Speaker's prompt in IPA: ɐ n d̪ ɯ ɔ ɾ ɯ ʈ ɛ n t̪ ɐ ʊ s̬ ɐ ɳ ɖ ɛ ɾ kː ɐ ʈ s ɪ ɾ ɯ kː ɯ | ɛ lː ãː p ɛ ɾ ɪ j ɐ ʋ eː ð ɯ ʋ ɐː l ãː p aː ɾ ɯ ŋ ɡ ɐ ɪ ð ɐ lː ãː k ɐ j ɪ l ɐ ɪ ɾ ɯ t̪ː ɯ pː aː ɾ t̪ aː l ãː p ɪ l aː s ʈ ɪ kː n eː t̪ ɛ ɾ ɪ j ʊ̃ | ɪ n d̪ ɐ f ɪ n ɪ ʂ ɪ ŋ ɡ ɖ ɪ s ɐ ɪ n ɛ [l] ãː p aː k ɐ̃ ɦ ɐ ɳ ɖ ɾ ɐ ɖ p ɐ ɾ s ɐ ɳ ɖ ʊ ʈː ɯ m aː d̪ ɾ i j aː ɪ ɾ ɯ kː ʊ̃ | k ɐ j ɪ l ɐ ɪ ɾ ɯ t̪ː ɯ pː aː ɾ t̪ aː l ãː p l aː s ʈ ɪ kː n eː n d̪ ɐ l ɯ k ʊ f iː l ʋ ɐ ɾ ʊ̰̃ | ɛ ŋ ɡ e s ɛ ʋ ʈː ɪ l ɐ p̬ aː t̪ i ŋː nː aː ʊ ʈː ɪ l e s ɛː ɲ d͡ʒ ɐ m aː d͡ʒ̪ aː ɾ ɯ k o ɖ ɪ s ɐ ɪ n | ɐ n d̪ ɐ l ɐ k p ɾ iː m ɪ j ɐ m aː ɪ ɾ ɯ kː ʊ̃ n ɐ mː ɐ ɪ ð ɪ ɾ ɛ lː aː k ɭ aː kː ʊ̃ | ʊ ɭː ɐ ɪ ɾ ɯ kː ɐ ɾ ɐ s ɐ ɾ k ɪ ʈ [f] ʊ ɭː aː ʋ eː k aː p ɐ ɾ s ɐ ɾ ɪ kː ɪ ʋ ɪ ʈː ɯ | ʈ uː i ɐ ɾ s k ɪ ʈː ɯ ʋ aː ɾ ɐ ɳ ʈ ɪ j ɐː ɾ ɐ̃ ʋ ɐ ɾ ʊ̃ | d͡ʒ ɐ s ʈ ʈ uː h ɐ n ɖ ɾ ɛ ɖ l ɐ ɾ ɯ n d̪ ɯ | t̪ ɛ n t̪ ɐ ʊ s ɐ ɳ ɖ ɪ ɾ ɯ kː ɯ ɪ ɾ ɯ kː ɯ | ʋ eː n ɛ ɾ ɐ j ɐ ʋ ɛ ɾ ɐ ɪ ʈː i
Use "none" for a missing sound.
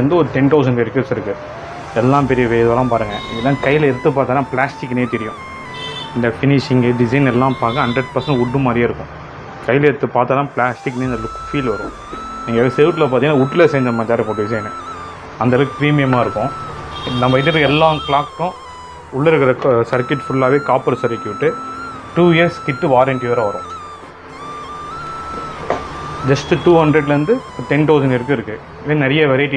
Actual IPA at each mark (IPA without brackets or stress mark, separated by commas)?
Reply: lː, f